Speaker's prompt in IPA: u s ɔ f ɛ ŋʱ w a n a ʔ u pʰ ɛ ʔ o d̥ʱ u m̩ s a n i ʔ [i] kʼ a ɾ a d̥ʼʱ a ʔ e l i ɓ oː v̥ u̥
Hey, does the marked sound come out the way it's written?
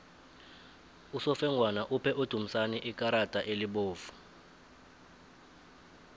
yes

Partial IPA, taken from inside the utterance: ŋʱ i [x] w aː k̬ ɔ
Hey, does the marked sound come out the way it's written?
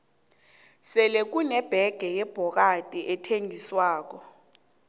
no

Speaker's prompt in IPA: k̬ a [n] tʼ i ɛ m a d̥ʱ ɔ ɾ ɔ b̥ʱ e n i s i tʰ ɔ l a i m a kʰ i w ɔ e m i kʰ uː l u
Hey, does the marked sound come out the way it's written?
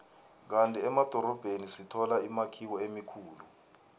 yes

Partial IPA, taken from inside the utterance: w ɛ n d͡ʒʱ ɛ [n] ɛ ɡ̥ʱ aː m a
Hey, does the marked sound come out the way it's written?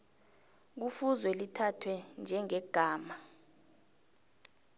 no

